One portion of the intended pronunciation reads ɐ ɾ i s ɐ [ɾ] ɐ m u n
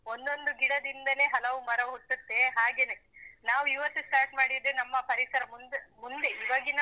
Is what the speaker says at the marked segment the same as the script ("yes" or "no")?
yes